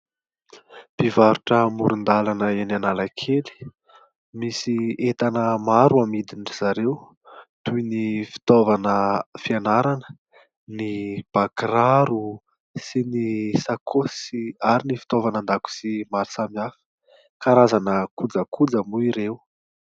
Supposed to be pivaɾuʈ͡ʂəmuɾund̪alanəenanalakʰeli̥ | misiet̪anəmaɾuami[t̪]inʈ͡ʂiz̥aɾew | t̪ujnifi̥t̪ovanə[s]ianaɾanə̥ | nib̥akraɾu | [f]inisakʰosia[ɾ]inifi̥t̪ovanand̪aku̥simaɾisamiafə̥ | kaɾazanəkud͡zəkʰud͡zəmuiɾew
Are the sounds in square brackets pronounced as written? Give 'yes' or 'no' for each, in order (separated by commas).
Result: no, no, no, yes